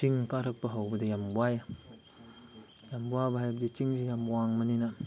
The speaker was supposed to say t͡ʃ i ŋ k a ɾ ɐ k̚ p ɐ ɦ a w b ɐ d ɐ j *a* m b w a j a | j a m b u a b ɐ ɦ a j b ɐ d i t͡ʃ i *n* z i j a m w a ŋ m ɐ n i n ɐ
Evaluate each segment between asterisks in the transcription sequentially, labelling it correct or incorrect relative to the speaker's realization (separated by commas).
correct, incorrect